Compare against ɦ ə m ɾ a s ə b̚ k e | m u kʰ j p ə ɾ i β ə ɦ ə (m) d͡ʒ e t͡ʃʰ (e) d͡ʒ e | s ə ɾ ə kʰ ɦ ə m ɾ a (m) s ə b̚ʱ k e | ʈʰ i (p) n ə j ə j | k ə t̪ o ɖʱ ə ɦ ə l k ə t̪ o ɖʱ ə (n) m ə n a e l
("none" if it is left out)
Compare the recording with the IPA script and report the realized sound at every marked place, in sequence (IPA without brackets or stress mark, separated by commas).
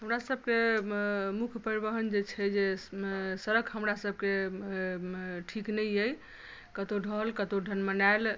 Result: n, ɛ, none, k, n